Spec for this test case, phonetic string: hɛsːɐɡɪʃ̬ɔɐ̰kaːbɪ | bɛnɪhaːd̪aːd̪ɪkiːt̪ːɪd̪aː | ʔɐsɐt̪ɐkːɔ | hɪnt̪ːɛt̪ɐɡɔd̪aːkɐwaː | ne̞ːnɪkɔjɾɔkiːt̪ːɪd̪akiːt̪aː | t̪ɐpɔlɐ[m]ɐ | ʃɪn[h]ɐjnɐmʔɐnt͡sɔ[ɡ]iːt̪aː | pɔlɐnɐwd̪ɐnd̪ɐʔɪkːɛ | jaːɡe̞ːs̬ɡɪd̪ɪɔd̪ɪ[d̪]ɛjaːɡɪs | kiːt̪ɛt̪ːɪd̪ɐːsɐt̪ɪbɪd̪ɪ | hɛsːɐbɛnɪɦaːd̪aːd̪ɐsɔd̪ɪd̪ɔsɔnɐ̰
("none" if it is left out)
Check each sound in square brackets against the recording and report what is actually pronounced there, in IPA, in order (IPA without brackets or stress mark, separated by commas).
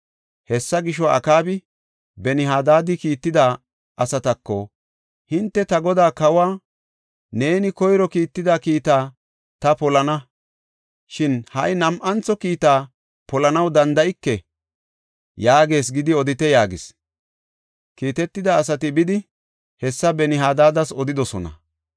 n, h, k, t̪